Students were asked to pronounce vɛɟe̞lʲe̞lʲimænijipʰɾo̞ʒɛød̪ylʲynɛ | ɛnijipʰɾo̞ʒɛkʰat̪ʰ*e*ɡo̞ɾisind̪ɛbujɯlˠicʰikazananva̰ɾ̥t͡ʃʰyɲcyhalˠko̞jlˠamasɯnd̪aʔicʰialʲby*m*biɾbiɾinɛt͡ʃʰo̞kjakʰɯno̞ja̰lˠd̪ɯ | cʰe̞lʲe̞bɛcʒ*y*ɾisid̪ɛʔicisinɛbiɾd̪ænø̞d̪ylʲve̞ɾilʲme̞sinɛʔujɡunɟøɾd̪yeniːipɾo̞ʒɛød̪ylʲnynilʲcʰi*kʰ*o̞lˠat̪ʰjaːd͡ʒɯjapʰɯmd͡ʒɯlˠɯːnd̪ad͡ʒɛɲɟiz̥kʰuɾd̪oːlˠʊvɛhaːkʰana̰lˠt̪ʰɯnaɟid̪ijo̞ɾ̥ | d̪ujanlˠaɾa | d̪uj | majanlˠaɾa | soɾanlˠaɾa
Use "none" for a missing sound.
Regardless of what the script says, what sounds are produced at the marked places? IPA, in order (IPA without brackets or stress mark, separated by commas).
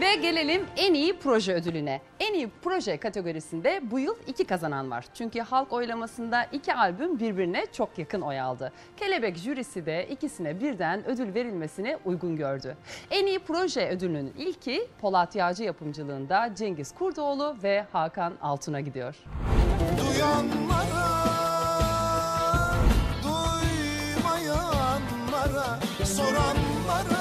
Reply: e, m, y, pʰ